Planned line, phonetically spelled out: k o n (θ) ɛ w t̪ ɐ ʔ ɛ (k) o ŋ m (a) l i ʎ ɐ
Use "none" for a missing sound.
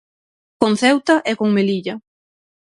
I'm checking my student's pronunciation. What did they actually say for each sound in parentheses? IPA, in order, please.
θ, k, e

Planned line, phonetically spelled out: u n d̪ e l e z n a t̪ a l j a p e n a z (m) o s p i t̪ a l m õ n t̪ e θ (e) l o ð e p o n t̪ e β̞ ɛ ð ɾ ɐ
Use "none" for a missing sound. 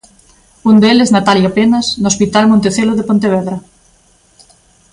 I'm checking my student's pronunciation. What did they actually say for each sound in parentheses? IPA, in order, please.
n, e

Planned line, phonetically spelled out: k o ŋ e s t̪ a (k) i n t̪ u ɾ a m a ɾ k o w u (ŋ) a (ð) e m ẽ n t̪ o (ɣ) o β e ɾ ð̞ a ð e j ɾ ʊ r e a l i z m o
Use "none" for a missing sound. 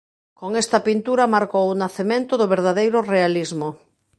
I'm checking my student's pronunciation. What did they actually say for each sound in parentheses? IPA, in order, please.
p, n, θ, ð

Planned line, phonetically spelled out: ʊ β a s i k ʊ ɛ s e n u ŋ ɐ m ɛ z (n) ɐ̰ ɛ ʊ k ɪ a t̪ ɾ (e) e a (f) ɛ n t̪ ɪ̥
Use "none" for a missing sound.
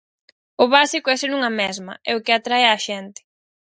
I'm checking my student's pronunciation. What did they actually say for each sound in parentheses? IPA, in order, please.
m, a, ʃ

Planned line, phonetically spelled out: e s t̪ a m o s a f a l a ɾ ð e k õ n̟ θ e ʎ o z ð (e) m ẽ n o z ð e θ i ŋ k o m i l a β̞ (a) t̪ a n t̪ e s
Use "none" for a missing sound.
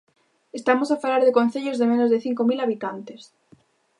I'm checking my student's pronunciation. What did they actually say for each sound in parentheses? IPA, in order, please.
e, i

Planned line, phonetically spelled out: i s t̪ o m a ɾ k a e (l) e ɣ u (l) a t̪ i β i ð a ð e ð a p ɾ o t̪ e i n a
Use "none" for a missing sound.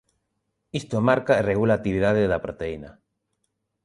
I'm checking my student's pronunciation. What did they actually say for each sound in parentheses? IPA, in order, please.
r, l

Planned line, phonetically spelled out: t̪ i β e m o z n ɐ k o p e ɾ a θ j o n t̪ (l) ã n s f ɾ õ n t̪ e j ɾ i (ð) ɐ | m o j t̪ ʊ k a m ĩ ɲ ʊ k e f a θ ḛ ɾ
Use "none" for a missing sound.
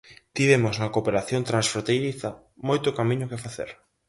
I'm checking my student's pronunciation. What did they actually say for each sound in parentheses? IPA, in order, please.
ɾ, θ

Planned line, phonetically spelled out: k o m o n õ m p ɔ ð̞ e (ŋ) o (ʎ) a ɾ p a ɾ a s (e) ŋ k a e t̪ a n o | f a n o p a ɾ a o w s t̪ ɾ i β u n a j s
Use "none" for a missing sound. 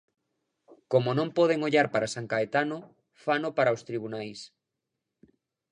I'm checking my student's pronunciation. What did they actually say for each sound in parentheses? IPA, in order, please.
ŋ, ʎ, a

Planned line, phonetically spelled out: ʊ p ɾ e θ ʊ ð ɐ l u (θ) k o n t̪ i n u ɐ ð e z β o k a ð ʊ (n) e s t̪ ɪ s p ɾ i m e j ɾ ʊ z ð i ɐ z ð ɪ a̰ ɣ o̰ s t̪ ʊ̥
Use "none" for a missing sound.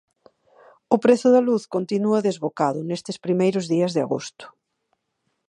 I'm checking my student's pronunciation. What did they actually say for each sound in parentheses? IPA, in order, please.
θ, n

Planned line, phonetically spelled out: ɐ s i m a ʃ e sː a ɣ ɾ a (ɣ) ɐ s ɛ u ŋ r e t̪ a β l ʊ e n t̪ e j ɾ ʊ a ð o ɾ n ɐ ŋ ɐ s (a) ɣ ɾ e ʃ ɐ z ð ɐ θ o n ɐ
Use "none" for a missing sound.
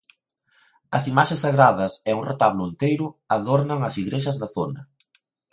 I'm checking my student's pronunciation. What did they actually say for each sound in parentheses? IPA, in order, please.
ð, i

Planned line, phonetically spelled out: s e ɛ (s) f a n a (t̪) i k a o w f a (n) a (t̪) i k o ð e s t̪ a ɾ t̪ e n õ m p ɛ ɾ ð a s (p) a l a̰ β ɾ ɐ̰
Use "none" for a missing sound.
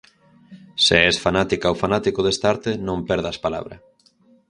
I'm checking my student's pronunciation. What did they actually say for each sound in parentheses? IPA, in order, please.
s, t̪, n, t̪, p

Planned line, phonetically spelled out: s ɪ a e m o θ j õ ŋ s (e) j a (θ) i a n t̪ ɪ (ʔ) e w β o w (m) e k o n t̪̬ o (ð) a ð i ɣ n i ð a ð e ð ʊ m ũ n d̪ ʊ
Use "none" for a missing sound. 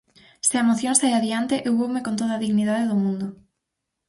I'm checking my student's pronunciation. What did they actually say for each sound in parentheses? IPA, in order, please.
a, ð, ʔ, m, ð

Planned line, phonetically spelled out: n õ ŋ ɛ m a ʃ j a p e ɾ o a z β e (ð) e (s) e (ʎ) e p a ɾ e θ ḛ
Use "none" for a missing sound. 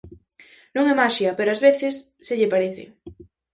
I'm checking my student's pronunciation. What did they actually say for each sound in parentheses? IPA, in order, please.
θ, sː, ʎ

